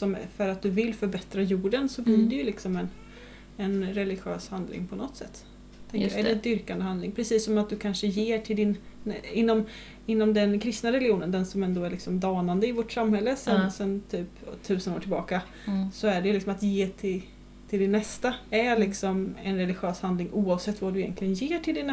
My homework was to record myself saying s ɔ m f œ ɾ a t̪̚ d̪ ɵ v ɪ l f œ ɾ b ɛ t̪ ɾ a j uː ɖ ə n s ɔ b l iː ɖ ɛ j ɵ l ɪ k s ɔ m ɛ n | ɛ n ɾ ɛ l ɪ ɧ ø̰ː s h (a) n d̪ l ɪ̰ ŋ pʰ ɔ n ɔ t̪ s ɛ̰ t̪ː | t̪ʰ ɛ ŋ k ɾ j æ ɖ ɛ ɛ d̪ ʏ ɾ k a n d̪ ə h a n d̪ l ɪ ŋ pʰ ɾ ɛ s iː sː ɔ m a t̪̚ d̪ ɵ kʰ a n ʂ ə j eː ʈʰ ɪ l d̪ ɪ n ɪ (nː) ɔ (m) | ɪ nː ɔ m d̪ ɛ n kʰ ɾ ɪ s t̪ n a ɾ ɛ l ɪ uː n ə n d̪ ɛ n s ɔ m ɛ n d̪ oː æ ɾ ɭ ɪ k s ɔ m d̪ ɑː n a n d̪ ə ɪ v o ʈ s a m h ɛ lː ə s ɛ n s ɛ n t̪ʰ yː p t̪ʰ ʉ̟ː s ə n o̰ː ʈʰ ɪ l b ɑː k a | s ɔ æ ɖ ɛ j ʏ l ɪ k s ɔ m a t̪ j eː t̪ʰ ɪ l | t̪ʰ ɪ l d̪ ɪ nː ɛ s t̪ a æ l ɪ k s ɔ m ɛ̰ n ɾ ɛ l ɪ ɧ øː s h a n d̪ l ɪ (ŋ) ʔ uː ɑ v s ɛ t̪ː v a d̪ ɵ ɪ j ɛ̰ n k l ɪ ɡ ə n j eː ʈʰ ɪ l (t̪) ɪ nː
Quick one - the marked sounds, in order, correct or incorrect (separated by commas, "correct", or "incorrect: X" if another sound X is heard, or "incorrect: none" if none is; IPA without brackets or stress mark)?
correct, correct, correct, correct, incorrect: d̪